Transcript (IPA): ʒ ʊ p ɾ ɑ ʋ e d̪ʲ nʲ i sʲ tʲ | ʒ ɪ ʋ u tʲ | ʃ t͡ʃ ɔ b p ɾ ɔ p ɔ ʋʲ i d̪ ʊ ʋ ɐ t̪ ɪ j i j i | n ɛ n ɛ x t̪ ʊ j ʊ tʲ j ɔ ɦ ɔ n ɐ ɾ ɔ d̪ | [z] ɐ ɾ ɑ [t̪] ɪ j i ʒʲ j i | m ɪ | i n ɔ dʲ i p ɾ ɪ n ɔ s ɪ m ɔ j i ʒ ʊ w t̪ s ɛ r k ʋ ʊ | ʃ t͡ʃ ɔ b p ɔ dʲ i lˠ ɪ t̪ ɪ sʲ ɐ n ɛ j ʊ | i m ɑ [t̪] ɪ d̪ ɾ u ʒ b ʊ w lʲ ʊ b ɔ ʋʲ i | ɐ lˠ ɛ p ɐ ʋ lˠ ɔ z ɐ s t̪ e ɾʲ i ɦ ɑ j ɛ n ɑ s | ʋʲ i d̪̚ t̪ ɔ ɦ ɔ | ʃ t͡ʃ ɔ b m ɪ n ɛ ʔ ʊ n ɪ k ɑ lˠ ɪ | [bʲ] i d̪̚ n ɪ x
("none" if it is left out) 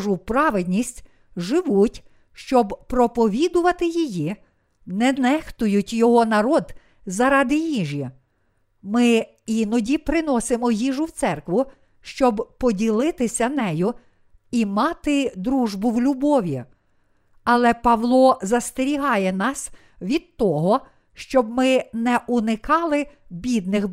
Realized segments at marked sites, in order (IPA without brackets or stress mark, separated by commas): z, d̪, t̪, bʲ